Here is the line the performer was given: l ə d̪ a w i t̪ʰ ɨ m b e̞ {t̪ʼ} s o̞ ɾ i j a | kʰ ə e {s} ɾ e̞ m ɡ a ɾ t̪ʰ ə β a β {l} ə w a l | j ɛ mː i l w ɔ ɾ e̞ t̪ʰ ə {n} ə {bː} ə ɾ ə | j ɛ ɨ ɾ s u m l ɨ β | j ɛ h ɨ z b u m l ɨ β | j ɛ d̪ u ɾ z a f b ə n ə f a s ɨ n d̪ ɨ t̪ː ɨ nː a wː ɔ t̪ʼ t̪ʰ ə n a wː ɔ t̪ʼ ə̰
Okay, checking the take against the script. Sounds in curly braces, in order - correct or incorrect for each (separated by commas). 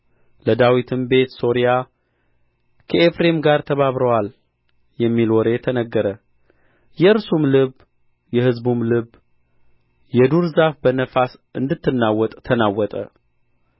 incorrect, incorrect, incorrect, correct, incorrect